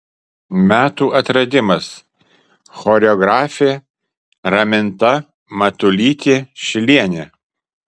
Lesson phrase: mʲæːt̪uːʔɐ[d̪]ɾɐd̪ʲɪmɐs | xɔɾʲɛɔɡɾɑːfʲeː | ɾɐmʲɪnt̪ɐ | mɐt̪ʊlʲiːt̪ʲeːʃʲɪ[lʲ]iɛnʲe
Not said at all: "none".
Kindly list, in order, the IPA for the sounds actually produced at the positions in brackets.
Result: t̪, lʲ

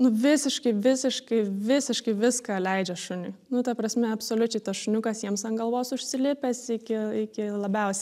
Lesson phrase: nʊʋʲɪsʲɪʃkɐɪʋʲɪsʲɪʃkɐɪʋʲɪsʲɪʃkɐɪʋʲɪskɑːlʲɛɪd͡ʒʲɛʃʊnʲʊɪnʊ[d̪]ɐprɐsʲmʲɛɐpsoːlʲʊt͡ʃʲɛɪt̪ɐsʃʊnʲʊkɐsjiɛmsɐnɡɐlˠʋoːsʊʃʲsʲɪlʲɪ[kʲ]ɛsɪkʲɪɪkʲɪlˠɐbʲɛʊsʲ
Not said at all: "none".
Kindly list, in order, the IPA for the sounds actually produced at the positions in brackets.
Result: t̪, pʲ

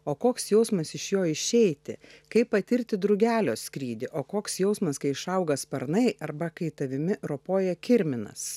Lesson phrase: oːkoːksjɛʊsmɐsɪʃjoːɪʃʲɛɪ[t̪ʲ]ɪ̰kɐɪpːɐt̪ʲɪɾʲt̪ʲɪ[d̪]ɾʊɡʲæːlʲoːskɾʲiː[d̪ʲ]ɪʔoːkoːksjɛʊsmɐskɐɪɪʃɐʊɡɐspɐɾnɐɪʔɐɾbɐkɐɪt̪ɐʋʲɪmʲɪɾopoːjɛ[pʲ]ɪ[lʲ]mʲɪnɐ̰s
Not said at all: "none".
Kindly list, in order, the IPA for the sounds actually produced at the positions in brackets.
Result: t̪ʲ, d̪, d̪ʲ, kʲ, ɾʲ

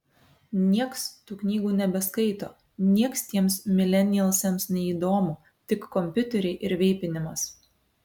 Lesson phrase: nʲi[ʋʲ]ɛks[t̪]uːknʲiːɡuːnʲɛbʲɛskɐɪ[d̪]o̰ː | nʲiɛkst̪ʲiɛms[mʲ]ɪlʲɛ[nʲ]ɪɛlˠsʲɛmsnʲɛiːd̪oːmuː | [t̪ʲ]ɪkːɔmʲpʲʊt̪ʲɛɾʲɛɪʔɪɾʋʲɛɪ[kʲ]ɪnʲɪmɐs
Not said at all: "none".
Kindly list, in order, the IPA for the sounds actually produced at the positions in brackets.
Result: none, t̪, t̪, mʲ, nʲ, t̪ʲ, pʲ

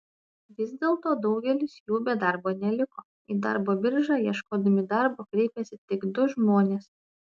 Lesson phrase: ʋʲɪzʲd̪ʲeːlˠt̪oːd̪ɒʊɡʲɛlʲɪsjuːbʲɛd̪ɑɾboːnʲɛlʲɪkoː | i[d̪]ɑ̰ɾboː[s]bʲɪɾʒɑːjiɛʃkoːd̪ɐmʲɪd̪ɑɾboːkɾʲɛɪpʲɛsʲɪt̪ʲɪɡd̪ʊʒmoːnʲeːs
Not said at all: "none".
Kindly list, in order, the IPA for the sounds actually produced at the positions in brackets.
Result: d̪, none

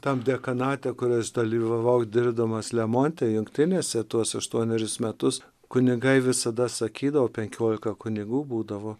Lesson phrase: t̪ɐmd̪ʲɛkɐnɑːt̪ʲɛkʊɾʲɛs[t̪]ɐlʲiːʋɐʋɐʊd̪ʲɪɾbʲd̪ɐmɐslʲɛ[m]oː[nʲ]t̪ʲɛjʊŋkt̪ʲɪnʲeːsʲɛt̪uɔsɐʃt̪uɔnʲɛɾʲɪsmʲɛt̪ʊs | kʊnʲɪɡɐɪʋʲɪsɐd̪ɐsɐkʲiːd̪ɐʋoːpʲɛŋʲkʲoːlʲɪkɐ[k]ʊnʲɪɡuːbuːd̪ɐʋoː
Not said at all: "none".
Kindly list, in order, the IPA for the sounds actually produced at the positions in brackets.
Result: d̪, m, nʲ, k

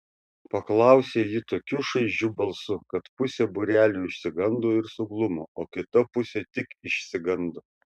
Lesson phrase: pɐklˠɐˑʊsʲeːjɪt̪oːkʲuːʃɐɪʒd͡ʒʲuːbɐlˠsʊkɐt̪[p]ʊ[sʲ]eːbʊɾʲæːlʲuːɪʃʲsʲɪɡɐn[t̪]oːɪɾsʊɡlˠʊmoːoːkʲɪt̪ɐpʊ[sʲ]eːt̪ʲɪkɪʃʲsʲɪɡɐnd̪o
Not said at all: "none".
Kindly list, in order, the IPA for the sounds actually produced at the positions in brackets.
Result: p, sʲ, d̪, sʲ

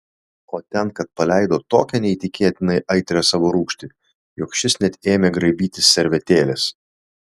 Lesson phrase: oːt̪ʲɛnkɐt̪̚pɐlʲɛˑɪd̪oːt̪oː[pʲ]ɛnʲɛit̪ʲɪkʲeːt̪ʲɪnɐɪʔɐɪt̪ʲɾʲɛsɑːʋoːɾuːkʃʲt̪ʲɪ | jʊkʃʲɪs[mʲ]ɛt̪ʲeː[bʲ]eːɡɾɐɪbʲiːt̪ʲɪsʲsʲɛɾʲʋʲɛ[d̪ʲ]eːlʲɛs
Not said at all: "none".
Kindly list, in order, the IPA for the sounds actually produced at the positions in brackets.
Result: kʲ, nʲ, mʲ, t̪ʲ

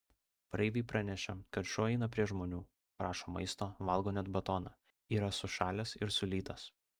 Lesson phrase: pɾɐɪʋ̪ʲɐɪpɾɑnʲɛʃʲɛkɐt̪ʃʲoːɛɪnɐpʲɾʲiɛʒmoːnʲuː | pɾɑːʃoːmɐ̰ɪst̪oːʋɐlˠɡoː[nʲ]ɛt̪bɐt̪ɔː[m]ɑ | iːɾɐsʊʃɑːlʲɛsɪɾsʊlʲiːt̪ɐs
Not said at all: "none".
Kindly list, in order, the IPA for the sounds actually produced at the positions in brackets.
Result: nʲ, n

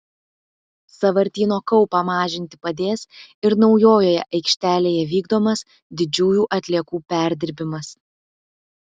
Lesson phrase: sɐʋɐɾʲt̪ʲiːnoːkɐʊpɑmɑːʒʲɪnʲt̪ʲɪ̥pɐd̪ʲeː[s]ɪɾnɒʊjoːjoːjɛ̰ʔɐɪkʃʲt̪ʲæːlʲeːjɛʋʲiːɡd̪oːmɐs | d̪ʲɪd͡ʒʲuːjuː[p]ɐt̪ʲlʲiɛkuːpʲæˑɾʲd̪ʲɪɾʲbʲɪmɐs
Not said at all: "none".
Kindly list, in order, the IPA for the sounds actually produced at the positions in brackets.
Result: s, ʔ

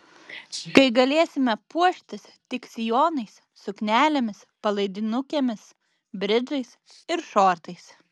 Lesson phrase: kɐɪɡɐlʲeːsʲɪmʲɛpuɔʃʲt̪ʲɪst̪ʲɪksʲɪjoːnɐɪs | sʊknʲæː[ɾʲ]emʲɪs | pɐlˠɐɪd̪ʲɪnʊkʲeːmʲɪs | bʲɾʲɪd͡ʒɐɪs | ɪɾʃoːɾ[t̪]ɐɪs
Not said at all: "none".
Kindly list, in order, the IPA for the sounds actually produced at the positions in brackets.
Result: lʲ, t̪

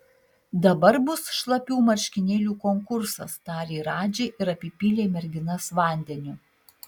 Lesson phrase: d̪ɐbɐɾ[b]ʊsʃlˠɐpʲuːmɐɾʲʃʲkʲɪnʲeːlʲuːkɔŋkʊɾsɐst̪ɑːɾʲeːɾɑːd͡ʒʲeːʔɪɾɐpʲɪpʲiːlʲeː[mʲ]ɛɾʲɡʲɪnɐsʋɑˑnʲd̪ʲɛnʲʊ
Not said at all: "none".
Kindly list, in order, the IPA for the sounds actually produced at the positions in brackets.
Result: b, mʲ

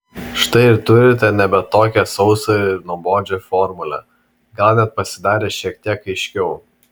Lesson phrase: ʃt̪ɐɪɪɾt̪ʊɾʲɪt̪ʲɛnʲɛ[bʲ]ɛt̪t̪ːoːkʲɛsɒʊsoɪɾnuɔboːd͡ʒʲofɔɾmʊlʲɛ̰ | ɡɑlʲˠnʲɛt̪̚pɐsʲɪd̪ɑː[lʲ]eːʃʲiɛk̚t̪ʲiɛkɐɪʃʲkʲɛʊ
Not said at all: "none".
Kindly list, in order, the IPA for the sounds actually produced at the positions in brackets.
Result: bʲ, ɾʲ

